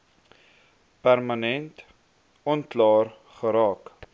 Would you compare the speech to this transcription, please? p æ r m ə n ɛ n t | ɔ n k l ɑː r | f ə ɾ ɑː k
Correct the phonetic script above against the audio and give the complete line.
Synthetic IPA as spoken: p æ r m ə n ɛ n t | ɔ n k l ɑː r | χ ə ɾ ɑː k